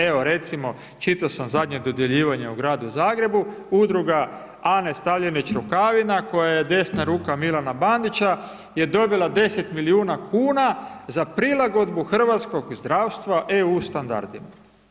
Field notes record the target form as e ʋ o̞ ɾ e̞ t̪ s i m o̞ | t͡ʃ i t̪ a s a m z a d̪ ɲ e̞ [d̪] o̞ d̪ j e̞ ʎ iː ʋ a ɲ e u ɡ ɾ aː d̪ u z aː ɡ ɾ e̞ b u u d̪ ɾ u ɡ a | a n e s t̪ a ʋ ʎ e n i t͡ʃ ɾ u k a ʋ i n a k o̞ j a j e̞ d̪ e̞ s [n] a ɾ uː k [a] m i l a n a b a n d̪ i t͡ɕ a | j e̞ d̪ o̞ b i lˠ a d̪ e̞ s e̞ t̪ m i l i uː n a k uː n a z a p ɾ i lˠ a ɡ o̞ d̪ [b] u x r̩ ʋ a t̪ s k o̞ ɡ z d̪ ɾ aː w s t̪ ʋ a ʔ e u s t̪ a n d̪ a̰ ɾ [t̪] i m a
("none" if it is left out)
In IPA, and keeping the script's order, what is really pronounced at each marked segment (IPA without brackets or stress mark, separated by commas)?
d̪, n, a, b, d̪